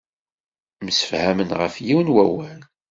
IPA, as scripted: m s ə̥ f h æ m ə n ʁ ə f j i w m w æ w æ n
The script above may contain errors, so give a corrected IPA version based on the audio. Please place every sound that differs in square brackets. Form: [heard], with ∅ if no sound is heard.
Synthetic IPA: m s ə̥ f h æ m ə n ʁ ə f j i w [n] w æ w æ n